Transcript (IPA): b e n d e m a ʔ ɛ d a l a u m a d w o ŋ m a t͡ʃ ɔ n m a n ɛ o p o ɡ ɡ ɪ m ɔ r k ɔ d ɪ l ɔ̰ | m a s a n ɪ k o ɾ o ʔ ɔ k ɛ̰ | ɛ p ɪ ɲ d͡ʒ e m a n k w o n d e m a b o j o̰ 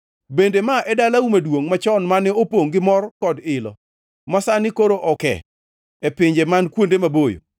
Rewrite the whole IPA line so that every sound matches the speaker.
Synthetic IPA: b e n d e m a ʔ ɛ d a l a u m a d w o ŋ m a t͡ʃ ɔ n m a n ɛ o p o ŋ ɡ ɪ m ɔ r k ɔ d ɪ l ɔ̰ | m a s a n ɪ k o ɾ o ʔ ɔ k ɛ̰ | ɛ p ɪ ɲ d͡ʒ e m a n k w o n d e m a b o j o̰